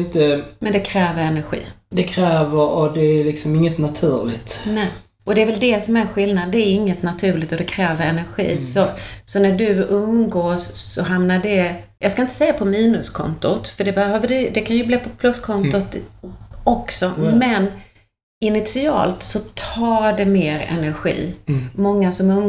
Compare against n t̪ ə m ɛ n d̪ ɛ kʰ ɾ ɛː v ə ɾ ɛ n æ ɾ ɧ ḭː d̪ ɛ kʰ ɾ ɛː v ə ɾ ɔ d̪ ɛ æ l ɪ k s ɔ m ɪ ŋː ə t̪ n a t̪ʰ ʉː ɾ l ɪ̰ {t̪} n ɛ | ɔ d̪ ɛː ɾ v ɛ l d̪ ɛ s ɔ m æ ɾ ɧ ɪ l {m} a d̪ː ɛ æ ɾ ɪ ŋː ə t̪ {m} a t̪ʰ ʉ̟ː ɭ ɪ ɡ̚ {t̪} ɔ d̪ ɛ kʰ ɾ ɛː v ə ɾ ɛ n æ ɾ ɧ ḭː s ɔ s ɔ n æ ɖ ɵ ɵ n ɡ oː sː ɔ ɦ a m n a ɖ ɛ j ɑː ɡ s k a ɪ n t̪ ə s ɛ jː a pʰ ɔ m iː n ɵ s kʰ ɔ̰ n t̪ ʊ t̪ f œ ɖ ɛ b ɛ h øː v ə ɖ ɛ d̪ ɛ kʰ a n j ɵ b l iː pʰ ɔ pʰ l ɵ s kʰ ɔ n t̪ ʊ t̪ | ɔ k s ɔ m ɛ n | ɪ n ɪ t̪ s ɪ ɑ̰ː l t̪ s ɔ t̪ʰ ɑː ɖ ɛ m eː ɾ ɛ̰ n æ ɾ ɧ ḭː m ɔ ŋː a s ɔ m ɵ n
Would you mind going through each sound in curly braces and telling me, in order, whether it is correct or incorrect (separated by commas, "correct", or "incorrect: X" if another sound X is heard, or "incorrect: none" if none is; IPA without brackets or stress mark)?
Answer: correct, incorrect: n, incorrect: n, correct